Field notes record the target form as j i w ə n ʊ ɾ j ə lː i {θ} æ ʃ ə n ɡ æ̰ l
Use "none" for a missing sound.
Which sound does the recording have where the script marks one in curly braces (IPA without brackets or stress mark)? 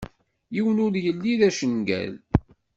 ð